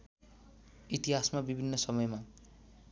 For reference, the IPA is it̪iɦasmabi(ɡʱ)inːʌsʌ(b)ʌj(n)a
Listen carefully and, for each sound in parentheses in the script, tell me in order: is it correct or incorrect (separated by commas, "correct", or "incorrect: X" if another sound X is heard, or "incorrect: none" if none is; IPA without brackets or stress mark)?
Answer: incorrect: bʱ, incorrect: m, incorrect: m